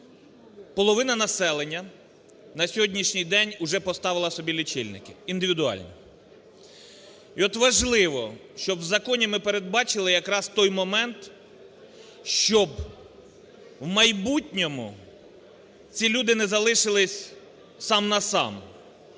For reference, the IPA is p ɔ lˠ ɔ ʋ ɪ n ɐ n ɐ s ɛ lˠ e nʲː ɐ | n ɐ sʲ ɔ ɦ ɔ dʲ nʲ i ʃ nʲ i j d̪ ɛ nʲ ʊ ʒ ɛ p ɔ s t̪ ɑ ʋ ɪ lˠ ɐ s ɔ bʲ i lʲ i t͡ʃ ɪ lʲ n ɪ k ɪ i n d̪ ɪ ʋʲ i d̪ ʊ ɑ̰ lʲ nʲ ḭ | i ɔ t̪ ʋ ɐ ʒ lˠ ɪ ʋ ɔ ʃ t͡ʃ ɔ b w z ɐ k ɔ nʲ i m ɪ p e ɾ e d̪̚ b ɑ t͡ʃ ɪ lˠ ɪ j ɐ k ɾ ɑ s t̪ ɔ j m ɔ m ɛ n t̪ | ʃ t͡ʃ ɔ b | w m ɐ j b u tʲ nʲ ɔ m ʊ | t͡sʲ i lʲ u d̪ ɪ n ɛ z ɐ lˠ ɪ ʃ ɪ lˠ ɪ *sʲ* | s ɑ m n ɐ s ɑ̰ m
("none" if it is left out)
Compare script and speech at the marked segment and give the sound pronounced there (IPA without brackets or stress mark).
sʲ